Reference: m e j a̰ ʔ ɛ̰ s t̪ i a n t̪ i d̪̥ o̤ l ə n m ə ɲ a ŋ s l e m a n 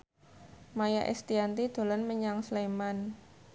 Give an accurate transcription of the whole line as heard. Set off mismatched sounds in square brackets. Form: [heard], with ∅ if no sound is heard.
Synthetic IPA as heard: m [a] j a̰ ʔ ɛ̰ s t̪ i a n t̪ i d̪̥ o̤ l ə n m ə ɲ a ŋ s l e m a n